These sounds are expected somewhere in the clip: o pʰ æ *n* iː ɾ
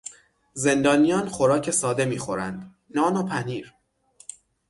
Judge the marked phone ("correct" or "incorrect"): correct